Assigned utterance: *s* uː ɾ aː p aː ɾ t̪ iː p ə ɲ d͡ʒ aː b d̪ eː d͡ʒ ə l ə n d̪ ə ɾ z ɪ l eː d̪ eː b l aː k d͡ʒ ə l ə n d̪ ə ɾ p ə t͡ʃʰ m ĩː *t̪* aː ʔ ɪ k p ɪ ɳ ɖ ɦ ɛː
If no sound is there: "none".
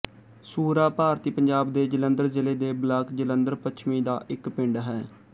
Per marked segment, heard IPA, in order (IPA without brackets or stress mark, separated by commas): s, d̪